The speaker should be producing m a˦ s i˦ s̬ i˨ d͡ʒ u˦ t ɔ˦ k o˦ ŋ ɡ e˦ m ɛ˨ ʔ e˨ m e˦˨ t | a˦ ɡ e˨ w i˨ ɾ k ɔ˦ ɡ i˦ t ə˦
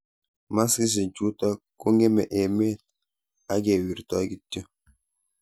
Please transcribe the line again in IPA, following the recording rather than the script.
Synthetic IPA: m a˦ s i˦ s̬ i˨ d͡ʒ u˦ t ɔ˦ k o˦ ŋ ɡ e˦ m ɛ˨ ʔ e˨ m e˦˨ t | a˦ ɡ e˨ w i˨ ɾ t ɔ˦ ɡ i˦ t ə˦